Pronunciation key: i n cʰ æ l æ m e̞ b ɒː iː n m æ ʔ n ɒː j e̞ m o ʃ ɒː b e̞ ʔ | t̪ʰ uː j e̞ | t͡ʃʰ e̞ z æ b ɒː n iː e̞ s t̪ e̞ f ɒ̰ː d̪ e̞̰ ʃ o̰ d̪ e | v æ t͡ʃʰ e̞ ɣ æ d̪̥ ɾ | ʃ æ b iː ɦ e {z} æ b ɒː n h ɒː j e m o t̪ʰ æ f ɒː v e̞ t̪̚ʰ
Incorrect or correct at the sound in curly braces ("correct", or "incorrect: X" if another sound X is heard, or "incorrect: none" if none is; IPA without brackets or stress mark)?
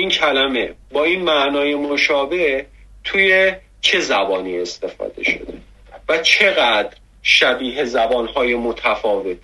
correct